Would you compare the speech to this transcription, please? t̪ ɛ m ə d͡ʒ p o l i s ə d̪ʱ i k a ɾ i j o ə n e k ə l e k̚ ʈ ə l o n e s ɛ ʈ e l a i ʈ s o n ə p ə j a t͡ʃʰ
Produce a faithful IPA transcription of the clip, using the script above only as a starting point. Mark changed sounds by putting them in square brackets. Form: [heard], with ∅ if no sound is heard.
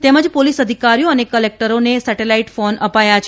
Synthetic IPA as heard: t̪ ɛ m ə d͡ʒ p o l i s ə d̪ʱ i k a ɾ i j o ə n e k ə l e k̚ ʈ ə [ɾ] o n e s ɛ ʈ e l a i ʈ [f] o n ə p [a] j a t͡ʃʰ